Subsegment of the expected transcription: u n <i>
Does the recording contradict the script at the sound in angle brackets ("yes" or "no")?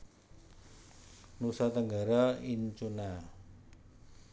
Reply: yes